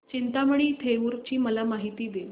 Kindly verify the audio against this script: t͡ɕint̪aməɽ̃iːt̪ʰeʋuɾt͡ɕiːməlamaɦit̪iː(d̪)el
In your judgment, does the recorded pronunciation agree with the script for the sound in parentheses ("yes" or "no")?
yes